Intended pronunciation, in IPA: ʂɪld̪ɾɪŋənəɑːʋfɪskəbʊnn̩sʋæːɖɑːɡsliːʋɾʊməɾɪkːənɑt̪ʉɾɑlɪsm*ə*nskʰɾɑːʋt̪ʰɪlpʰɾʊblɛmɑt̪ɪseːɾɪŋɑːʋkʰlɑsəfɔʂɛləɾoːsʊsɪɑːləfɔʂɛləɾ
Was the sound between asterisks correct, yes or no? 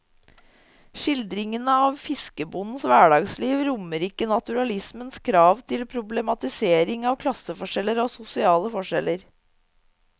yes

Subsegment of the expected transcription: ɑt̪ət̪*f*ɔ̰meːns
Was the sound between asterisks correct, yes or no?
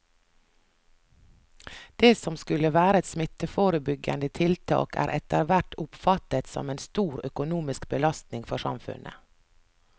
no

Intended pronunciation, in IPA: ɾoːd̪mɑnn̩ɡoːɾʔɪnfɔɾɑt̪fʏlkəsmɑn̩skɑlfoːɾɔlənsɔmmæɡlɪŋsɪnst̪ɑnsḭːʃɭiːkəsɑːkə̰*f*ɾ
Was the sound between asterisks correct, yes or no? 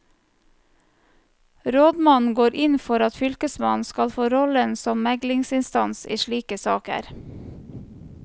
no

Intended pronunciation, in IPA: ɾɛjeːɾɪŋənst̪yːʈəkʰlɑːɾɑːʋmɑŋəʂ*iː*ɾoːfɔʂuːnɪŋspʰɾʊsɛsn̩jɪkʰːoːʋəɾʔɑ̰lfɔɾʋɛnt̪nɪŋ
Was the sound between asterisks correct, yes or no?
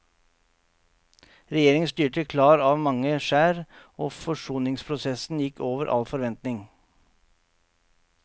no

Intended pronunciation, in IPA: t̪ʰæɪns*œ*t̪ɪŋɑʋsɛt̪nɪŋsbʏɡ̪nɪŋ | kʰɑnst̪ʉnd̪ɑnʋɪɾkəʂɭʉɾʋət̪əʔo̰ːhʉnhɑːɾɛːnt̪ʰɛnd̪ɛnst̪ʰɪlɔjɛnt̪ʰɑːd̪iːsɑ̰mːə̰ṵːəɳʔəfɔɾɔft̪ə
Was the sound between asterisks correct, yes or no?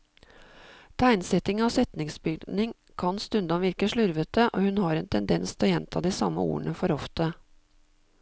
no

